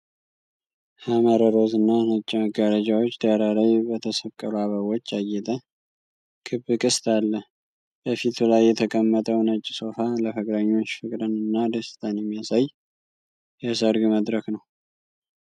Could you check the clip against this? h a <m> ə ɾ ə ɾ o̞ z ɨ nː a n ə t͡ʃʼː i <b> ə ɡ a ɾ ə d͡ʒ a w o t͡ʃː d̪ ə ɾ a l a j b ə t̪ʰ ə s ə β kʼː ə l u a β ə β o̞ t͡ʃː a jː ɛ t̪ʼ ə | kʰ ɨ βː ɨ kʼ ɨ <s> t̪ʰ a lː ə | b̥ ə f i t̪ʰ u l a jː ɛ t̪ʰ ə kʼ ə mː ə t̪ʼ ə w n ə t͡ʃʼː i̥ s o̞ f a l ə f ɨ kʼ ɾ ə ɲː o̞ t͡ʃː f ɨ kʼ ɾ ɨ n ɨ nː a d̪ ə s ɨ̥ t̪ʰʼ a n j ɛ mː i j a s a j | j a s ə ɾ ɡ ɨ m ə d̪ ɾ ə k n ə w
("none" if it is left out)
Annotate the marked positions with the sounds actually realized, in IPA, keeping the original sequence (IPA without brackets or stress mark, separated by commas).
m, m, s